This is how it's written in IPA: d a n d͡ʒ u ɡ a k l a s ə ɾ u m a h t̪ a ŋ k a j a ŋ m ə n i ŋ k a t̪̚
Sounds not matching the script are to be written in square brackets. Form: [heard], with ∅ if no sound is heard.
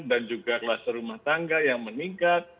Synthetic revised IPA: d a n d͡ʒ u ɡ a k l a s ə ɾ u m a h t̪ a ŋ [ɡ] a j a ŋ m ə n i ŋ k a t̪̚